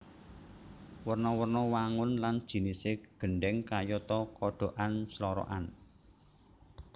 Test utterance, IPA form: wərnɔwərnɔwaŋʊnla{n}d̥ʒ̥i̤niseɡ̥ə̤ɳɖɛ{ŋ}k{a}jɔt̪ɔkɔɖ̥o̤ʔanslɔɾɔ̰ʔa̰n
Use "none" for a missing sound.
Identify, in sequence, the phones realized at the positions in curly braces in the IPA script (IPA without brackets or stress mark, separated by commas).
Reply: n, ŋ, a